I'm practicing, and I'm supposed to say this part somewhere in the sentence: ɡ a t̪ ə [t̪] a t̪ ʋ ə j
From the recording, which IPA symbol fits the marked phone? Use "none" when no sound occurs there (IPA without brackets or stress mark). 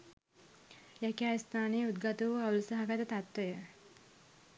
t̪